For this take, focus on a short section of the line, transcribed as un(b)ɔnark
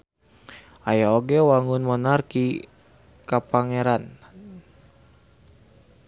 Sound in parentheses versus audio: incorrect: m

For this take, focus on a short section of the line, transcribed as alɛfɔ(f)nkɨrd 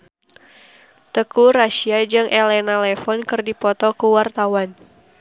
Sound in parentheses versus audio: incorrect: none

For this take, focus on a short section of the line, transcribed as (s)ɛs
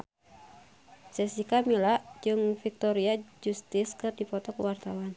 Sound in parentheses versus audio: correct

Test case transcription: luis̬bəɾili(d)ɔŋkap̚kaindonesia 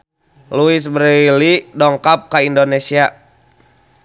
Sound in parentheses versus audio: correct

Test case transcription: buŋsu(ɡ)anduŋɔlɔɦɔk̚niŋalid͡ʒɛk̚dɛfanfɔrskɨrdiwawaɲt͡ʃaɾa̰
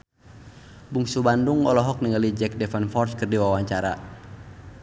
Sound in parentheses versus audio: incorrect: b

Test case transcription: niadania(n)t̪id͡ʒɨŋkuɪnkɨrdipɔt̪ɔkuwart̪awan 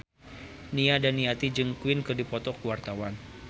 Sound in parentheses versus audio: incorrect: none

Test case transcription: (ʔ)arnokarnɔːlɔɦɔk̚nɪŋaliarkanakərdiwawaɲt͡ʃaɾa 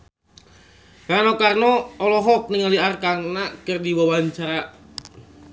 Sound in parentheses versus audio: incorrect: k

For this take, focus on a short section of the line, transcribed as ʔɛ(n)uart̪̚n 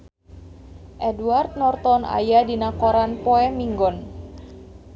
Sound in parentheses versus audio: incorrect: d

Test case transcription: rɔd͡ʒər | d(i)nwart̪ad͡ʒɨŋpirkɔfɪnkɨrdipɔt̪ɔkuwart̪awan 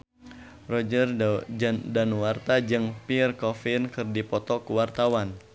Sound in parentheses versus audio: incorrect: a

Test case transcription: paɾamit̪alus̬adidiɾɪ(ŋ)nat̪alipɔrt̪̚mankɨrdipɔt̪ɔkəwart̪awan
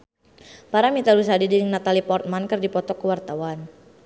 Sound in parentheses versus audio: correct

